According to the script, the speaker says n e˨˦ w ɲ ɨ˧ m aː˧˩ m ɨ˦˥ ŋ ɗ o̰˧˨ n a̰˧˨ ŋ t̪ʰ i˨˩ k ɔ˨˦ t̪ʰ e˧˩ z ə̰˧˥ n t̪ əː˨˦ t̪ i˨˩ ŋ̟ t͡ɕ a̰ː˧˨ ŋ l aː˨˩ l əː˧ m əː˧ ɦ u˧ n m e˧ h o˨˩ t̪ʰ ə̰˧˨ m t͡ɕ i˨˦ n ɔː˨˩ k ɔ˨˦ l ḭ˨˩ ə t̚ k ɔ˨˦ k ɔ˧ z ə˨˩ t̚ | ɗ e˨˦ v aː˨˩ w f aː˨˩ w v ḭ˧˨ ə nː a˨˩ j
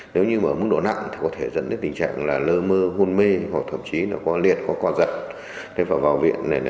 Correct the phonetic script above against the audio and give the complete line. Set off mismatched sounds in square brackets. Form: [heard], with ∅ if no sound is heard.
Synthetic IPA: n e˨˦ w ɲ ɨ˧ m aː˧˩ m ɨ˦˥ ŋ ɗ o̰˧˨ n a̰˧˨ ŋ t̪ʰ i˨˩ k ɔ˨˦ t̪ʰ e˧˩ z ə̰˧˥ n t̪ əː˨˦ t̪ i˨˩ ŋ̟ t͡ɕ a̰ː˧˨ ŋ l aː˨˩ l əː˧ m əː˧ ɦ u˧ n m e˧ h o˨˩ t̪ʰ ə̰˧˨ m t͡ɕ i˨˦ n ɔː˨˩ k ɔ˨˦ l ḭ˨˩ ə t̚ k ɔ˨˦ k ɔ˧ z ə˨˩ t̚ | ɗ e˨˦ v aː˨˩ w [v] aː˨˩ w v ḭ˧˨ ə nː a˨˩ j